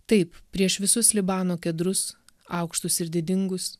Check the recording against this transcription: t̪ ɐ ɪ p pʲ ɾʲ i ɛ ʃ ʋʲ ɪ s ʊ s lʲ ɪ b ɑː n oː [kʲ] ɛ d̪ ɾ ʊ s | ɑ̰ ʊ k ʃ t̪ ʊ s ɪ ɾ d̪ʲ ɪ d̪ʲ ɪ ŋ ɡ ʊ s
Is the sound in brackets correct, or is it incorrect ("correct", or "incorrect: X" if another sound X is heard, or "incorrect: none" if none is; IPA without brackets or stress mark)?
correct